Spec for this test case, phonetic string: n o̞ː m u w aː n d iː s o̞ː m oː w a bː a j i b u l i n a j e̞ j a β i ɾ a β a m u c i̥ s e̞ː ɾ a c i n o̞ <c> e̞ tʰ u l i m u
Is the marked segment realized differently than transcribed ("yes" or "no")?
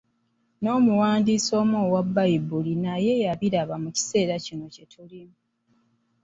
no